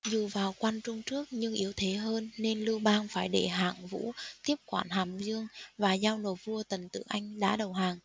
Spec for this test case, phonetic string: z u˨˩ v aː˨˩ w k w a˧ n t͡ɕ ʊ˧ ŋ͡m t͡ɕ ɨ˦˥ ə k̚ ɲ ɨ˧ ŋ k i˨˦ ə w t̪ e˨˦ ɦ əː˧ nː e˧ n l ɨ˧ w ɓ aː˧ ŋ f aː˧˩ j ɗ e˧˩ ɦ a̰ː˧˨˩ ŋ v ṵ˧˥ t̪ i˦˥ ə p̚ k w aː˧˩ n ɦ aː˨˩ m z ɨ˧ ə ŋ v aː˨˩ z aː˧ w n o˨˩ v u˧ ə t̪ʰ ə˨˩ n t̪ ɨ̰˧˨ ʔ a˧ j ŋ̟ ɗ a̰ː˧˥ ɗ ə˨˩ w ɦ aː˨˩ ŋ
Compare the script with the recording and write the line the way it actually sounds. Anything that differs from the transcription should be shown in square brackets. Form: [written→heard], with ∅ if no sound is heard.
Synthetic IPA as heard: z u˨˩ v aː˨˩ w k w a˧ n t͡ɕ ʊ˧ ŋ͡m t͡ɕ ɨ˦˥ ə k̚ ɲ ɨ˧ ŋ [k→ʔ] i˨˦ ə w [t̪→t̪ʰ] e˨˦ ɦ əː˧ nː e˧ n l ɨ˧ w ɓ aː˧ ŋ f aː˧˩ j ɗ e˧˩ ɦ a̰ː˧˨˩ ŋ v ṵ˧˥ t̪ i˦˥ ə p̚ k w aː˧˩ n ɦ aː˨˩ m z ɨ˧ ə ŋ v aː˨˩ z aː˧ w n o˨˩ v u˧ ə [t̪ʰ→t̪] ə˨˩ n t̪ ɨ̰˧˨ ʔ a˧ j ŋ̟ ɗ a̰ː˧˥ ɗ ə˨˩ w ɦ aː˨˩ ŋ